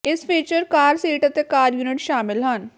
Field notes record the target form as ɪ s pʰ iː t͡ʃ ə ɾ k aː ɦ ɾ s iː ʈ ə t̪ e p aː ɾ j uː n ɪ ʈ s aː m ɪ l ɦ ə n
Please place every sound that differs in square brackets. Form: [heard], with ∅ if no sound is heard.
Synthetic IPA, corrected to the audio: ɪ s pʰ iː t͡ʃ ə ɾ k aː [∅] ɾ s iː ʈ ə t̪ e [k] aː ɾ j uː n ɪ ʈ [ʃ] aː m ɪ l ɦ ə n